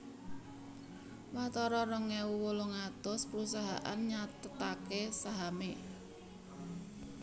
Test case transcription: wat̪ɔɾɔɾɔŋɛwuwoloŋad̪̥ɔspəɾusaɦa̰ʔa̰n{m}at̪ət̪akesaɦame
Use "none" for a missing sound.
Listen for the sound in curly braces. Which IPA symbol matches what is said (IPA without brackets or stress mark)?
ɲ